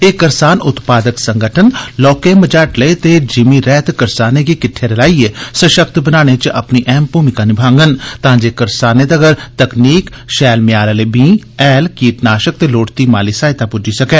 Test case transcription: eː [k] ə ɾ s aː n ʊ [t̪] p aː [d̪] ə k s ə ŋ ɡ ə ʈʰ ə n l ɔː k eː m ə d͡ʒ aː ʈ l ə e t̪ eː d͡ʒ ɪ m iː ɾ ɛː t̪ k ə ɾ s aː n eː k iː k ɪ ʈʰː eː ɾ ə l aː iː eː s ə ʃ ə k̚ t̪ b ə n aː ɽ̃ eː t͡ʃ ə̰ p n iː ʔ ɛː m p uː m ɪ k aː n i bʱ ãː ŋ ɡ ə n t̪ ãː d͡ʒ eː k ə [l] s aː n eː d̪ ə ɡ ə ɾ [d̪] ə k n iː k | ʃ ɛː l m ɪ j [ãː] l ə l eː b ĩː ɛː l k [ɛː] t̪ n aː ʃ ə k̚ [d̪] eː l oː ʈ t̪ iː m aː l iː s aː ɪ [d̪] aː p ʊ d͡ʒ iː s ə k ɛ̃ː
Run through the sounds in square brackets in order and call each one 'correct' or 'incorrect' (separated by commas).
correct, correct, correct, incorrect, incorrect, incorrect, incorrect, incorrect, incorrect